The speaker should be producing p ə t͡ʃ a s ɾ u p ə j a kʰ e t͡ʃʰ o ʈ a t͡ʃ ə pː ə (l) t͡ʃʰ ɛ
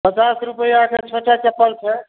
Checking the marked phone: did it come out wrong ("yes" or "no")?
no